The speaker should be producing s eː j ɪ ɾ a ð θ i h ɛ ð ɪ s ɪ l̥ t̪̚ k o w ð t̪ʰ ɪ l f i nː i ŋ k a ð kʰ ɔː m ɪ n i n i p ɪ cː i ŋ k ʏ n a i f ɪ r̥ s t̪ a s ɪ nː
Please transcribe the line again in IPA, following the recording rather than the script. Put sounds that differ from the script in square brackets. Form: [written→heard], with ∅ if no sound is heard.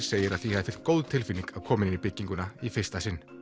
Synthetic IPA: s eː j ɪ ɾ a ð θ i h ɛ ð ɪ [s→f] ɪ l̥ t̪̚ k o w ð t̪ʰ ɪ l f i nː i ŋ k a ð kʰ ɔː m ɪ n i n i p ɪ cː i ŋ k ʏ n a i f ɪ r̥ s t̪ a s ɪ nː